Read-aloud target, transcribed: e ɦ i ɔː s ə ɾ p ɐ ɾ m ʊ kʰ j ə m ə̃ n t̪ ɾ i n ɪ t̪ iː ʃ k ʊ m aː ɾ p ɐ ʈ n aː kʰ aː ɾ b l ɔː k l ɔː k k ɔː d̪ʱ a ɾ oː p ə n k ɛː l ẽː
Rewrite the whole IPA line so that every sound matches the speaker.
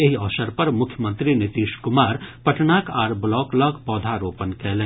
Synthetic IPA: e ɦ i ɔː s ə ɾ p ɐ ɾ m ʊ kʰ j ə m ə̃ n t̪ ɾ i n ɪ t̪ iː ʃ k ʊ m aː ɾ p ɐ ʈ n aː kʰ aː ɾ b l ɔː k l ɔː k p ɔː d̪ʱ a ɾ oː p ə n k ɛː l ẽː